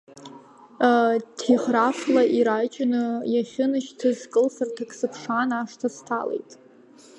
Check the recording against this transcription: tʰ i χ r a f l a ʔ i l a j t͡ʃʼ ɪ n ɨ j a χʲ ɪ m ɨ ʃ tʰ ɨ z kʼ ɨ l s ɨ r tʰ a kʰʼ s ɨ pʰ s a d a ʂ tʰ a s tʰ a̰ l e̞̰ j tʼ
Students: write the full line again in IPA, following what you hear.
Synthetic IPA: tʰ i χ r a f l a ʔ i ɾ a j t͡ʃʼ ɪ n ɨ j a χʲ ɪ n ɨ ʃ tʰ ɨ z kʼ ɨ l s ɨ r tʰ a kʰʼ s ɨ pʰ ʂ a n a ʂ tʰ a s tʰ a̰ l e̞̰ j tʼ